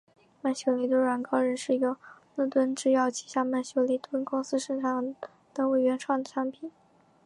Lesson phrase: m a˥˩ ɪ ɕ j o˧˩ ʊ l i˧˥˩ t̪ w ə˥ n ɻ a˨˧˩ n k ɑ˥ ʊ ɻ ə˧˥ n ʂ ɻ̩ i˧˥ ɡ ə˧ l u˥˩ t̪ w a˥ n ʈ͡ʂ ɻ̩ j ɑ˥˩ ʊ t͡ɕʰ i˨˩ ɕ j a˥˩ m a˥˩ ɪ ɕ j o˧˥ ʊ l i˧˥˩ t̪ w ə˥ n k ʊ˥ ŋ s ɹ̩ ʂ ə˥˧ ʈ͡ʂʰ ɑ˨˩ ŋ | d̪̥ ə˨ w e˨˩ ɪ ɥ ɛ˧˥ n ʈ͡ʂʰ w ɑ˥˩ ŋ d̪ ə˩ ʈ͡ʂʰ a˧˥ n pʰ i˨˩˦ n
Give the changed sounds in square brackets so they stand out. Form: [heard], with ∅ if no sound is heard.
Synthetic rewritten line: m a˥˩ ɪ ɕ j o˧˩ ʊ l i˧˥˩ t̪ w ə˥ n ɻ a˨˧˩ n k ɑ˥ ʊ ɻ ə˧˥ n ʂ ɻ̩ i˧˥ ɡ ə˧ l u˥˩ t̪ w [ə˥] n ʈ͡ʂ ɻ̩ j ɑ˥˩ ʊ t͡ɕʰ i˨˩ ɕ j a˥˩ m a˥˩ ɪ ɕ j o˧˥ ʊ l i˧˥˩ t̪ w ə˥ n k ʊ˥ ŋ s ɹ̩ ʂ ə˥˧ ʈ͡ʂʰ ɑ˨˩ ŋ | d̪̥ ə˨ w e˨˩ ɪ ɥ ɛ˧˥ n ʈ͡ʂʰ w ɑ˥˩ ŋ d̪ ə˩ ʈ͡ʂʰ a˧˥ n pʰ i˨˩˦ n